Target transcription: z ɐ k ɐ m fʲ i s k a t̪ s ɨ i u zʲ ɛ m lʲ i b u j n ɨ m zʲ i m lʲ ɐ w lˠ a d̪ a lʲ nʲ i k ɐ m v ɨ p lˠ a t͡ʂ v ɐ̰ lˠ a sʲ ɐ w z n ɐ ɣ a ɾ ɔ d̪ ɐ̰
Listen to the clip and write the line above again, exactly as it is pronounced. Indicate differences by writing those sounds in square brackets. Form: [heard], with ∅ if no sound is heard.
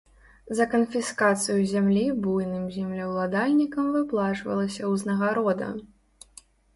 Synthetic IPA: z ɐ k ɐ [n] fʲ i s k a t̪ s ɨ [j] u zʲ [a] m lʲ i b u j n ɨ m zʲ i m lʲ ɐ w lˠ a d̪ a lʲ nʲ i k ɐ m v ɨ p lˠ a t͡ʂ v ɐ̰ lˠ [ɐ] sʲ ɐ w z n ɐ ɣ a ɾ ɔ d̪ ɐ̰